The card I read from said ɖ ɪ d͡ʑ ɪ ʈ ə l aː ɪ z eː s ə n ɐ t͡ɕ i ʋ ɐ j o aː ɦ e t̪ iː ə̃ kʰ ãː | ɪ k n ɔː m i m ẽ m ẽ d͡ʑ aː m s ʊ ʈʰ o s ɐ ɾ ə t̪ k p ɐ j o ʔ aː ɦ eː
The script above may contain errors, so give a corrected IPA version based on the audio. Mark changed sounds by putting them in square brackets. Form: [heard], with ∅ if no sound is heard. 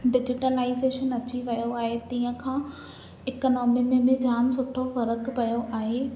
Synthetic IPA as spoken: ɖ ɪ d͡ʑ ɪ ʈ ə l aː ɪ z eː [ʃ] ə n ɐ t͡ɕ i ʋ ɐ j o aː ɦ e t̪ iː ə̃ kʰ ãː | ɪ k n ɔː m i m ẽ m ẽ d͡ʑ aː m s ʊ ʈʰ o [f] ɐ ɾ ə [∅] k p ɐ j o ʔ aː ɦ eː

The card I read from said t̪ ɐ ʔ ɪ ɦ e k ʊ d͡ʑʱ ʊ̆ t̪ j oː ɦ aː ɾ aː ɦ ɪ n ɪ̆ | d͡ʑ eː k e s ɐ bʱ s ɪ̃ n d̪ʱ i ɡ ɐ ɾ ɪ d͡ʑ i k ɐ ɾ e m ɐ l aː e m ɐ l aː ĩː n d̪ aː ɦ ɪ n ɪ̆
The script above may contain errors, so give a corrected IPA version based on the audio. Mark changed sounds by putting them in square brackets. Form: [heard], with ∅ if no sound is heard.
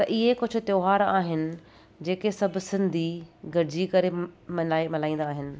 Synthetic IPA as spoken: t̪ ɐ ʔ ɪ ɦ e k ʊ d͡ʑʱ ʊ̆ t̪ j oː ɦ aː ɾ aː ɦ ɪ n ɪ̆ | d͡ʑ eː k e s ɐ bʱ s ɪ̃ n d̪ʱ i ɡ ɐ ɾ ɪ d͡ʑ i k ɐ ɾ e m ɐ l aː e m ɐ l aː ĩː n d̪ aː ɦ ɪ n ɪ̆

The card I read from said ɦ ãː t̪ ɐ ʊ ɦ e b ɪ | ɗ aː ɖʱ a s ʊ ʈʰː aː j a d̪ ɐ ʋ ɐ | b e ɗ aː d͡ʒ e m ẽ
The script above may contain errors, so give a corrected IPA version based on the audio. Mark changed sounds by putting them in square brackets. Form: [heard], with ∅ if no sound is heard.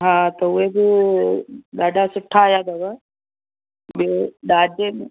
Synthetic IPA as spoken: ɦ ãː t̪ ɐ ʊ ɦ e b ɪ | ɗ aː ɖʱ a s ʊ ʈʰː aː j a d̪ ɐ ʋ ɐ | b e ɗ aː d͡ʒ e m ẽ

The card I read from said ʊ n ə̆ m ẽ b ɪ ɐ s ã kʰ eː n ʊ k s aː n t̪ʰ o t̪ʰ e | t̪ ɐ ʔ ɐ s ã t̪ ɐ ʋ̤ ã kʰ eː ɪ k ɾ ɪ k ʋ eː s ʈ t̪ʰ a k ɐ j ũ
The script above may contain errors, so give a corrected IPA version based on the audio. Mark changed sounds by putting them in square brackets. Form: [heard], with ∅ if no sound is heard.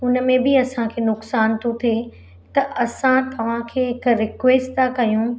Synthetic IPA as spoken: ʊ n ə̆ m ẽ b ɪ ɐ s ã kʰ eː n ʊ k s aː n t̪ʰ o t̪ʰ e | t̪ ɐ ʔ ɐ s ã t̪ ɐ ʋ̤ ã kʰ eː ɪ k ɾ ɪ k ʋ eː s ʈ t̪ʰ a k ɐ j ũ

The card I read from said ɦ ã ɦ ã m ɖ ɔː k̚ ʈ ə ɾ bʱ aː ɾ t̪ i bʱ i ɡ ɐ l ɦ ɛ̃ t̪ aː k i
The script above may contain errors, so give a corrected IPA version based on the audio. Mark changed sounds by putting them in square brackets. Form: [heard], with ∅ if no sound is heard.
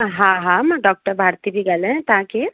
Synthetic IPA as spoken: ɦ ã ɦ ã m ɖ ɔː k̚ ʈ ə ɾ bʱ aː ɾ t̪ i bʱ i ɡ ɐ l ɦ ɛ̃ t̪ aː k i

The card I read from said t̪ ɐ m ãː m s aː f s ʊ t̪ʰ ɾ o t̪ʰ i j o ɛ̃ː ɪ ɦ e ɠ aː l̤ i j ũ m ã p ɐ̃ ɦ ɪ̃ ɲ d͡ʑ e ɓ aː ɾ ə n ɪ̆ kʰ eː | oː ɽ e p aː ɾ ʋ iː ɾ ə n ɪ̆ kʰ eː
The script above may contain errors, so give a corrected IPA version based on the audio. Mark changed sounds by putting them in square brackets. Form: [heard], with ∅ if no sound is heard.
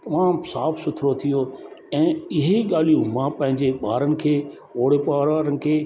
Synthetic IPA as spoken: t̪ ɐ m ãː m s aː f s ʊ t̪ʰ ɾ o t̪ʰ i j o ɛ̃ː ɪ ɦ e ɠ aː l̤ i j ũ m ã p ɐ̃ ɦ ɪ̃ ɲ d͡ʑ e ɓ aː ɾ ə n ɪ̆ kʰ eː | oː ɽ e p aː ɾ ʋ [aː] ɾ ə n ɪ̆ kʰ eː

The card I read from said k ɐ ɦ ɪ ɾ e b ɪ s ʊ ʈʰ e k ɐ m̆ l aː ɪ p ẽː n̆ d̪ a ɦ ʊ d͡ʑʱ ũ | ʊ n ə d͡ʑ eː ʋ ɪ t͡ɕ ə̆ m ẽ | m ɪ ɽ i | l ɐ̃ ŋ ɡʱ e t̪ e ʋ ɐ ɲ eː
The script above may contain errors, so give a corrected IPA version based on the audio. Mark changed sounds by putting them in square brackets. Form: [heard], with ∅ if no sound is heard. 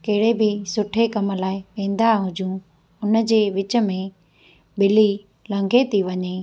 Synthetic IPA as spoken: k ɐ ɦ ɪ [ɽ] e b ɪ s ʊ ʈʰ e k ɐ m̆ l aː ɪ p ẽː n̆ d̪ a ɦ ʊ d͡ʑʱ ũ | ʊ n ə d͡ʑ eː ʋ ɪ t͡ɕ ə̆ m ẽ | [b] ɪ [l] i | l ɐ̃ ŋ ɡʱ e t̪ [i] ʋ ɐ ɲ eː

